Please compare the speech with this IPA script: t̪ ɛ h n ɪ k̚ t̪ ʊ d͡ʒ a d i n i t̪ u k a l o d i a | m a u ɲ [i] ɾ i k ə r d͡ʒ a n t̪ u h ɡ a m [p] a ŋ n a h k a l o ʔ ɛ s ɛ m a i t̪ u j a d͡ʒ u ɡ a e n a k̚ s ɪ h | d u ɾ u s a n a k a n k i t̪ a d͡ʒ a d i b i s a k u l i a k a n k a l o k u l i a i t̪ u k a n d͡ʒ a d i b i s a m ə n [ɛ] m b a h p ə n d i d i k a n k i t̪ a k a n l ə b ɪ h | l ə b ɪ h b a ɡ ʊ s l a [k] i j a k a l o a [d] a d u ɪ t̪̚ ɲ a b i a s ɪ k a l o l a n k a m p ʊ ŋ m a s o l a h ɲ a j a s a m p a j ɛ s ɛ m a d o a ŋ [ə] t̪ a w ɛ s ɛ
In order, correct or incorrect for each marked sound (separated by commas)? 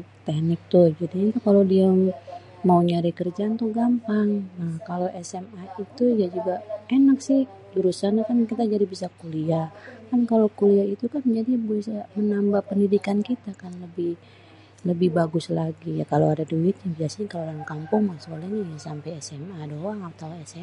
incorrect, correct, incorrect, incorrect, correct, incorrect